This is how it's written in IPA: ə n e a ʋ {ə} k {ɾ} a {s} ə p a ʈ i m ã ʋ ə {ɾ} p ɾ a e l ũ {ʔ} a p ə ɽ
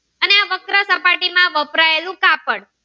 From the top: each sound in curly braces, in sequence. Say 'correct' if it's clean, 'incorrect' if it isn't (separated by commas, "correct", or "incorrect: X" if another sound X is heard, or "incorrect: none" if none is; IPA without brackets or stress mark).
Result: correct, correct, correct, incorrect: none, incorrect: k